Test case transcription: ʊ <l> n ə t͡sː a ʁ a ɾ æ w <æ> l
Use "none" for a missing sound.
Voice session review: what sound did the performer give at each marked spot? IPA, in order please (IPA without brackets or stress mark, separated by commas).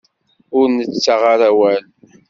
ɾ, æ